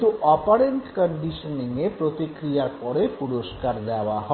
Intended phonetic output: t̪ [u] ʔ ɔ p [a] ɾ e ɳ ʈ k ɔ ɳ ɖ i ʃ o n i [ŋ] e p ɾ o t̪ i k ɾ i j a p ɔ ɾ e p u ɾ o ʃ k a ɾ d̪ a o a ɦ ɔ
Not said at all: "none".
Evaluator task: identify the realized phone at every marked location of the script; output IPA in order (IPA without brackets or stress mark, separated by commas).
u, a, ŋ